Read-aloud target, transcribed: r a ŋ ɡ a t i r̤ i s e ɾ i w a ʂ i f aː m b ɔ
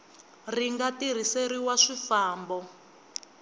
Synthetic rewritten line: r i ŋ ɡ a t i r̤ i s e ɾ i w a ʂ i f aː m b ɔ